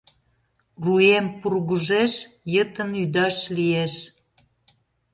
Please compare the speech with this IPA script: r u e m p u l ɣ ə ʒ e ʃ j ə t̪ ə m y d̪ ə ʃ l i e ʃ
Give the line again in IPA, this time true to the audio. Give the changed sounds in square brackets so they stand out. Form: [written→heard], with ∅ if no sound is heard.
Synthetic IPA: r u e m p u [l→r] ɣ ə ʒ e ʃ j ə t̪ ə [m→n] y d̪ [ə→ɑ] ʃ l i e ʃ